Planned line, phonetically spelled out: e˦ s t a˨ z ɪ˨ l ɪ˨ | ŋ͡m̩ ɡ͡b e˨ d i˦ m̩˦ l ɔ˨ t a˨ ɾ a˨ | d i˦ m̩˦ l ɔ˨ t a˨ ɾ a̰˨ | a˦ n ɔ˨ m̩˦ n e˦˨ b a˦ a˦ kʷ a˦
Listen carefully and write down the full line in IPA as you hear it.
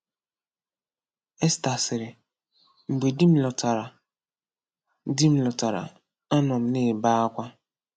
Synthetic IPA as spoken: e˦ s t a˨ s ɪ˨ ɾ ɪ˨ | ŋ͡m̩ ɡ͡b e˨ d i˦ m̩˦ l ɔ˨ t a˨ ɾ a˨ | d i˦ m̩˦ l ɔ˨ t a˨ ɾ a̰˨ | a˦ n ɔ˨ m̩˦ n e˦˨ b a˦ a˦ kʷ a˦